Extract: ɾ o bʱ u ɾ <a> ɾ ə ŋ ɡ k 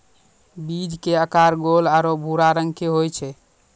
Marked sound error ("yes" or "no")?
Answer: no